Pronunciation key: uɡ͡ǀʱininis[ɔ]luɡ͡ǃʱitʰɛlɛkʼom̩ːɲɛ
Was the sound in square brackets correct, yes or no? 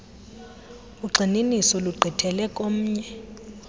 yes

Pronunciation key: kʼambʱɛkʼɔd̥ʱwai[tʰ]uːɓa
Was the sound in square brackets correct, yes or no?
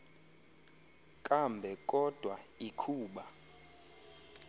no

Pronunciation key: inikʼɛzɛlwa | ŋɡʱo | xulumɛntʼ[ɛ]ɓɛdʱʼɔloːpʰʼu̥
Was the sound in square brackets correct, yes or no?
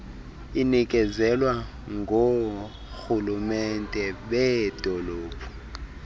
yes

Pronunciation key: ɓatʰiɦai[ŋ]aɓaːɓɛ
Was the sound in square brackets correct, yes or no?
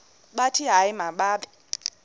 no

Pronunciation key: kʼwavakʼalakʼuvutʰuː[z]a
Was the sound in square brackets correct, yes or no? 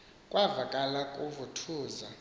yes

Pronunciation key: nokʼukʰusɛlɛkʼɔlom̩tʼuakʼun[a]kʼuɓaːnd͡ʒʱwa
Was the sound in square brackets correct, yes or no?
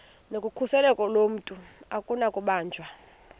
yes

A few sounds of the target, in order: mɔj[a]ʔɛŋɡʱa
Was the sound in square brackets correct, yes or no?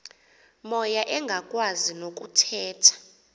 yes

